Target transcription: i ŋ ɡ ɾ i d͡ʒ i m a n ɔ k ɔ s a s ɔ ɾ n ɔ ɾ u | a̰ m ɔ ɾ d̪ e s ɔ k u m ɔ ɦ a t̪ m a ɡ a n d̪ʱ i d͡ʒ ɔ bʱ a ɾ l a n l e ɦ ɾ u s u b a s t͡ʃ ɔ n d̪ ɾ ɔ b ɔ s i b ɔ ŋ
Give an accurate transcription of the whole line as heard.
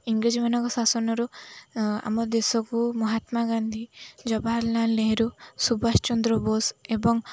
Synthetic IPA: i ŋ ɡ ɾ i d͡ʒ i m a n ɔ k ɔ s a s ɔ n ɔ ɾ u | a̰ m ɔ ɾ d̪ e s ɔ k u m ɔ ɦ a t̪ m a ɡ a n d̪ʱ i d͡ʒ ɔ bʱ a ɾ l a n l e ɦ ɾ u s u b a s t͡ʃ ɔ n d̪ ɾ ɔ b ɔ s e b ɔ ŋ